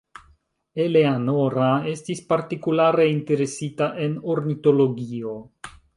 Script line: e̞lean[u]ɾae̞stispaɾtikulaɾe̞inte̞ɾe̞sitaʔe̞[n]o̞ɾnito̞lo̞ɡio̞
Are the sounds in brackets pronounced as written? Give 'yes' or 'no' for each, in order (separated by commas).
no, yes